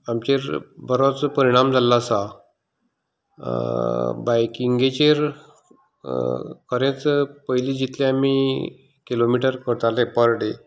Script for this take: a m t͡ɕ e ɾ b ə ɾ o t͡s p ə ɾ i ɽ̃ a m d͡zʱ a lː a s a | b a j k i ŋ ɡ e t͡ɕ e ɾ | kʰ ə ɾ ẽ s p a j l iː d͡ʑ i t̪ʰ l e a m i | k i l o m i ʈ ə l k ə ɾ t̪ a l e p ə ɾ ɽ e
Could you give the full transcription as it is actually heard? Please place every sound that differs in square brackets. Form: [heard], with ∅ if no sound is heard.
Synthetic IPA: a m t͡ɕ e ɾ b ə ɾ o t͡s p ə ɾ i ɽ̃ a m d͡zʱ a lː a s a | b a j k i ŋ ɡ e t͡ɕ e ɾ | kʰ ə ɾ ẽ [t͡s] p [ə] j l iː d͡ʑ i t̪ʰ l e a m i | k i l o m i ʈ ə [ɾ] k ə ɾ t̪ a l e p ə ɾ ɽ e

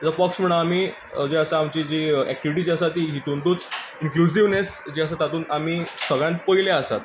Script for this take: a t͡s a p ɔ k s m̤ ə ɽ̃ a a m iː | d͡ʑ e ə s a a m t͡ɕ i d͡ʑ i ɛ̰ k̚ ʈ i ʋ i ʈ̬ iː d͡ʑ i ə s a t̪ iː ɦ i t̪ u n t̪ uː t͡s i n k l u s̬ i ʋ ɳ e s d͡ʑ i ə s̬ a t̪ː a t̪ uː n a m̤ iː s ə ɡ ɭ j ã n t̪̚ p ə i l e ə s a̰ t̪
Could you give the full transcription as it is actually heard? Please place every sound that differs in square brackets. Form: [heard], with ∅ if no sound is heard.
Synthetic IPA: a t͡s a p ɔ k s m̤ ə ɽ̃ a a m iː | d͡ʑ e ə s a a m t͡ɕ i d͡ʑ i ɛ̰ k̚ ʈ i ʋ i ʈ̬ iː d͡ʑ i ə s a t̪ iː ɦ i t̪ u n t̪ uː t͡s i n k l u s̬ i ʋ [n] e s d͡ʑ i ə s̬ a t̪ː a t̪ uː n a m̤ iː s ə ɡ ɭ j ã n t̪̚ p ə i l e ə s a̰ t̪

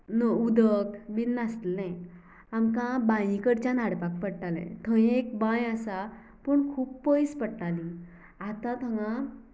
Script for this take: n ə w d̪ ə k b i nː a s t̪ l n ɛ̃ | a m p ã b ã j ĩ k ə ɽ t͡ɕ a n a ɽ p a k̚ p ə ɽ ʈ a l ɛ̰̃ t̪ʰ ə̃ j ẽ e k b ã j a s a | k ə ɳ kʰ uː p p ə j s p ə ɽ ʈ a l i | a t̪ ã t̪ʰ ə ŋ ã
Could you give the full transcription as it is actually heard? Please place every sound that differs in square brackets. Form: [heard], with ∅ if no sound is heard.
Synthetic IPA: n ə [u] d̪ ə k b i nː a s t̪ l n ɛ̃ | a m [k] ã b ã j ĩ k ə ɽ t͡ɕ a n a ɽ p a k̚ p ə ɽ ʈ a l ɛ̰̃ t̪ʰ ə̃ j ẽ e k b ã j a s a | [p] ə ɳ kʰ uː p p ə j s p ə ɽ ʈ a l i | a t̪ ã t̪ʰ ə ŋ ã

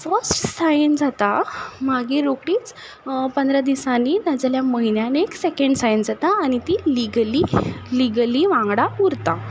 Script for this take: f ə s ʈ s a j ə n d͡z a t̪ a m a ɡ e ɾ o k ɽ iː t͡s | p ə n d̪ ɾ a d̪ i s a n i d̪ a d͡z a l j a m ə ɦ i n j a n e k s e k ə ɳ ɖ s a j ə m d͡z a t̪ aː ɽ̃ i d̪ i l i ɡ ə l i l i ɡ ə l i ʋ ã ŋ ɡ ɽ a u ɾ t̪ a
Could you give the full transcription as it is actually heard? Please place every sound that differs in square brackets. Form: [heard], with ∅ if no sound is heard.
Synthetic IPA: f ə s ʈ s a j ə n d͡z a t̪ a m a ɡ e ɾ o k ɽ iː t͡s | p ə n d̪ ɾ a d̪ i s a n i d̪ a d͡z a l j a m ə ɦ i n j a n e k s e k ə ɳ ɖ s a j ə [n] d͡z a t̪ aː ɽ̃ i [t̪] i l i ɡ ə l i l i ɡ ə l i ʋ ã ŋ ɡ ɽ a u ɾ t̪ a

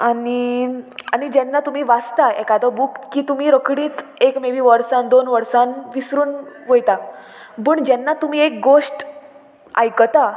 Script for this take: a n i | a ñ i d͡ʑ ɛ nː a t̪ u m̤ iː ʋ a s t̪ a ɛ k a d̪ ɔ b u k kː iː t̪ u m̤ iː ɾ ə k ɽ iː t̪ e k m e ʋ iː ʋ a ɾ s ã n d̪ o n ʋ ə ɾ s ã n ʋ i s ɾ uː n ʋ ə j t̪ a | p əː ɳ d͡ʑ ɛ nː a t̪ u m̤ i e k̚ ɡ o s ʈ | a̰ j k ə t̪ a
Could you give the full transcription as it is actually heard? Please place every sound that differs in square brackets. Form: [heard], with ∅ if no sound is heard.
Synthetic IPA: a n i | a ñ i d͡ʑ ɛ nː a t̪ u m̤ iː ʋ a s t̪ a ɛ k a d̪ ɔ b u k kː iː t̪ u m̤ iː ɾ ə k ɽ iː t̪ e k m e ʋ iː ʋ [ə] ɾ s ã n d̪ o n ʋ ə ɾ s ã n ʋ i s ɾ uː n ʋ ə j t̪ a | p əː ɳ d͡ʑ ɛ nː a t̪ u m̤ i e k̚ ɡ o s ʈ | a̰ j k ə t̪ a

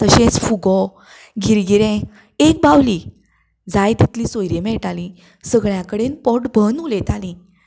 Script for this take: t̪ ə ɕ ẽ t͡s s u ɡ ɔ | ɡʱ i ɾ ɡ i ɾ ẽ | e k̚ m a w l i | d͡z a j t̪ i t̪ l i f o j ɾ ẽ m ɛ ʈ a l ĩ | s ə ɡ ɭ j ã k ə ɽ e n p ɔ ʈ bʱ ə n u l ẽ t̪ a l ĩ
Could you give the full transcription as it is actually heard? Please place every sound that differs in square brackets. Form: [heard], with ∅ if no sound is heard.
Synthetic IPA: t̪ ə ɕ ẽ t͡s [f] u ɡ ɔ | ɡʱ i ɾ ɡ i ɾ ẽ | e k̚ [b] a w l i | d͡z a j t̪ i t̪ l i [s] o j ɾ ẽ m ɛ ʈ a l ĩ | s ə ɡ ɭ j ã k ə ɽ e n p ɔ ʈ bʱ ə n u l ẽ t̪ a l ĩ

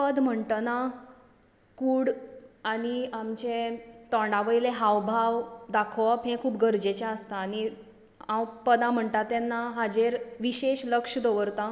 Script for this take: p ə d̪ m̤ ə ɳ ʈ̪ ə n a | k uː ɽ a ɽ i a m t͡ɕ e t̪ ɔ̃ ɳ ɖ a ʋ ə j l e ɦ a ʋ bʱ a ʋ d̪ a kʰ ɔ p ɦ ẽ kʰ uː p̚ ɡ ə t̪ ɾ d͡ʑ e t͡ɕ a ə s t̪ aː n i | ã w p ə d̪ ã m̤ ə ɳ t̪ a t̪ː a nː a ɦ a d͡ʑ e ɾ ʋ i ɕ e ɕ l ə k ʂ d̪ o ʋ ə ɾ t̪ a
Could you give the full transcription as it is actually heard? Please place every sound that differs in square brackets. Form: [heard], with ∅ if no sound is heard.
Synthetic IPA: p ə d̪ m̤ ə ɳ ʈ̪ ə n a | k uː ɽ a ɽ i a m t͡ɕ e t̪ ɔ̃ ɳ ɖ a ʋ ə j l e ɦ a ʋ bʱ a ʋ d̪ a kʰ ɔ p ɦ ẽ kʰ uː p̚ ɡ ə [∅] ɾ d͡ʑ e t͡ɕ a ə s t̪ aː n i | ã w p ə d̪ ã m̤ ə ɳ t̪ a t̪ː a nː a ɦ a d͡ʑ e ɾ ʋ i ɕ e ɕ l ə k ʂ d̪ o ʋ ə ɾ t̪ a

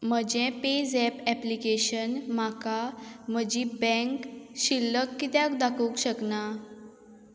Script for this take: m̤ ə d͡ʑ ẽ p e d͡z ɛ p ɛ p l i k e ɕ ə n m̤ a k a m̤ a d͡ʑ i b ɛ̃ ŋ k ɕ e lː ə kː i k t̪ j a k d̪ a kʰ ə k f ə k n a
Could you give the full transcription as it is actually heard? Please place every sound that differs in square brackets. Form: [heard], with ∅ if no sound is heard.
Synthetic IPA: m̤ ə d͡ʑ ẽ p e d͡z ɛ p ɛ p l i k e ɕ ə n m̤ a k a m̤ [ə] d͡ʑ i b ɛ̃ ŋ k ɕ [i] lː ə kː i [∅] t̪ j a k d̪ a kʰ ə k [ɕ] ə k n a

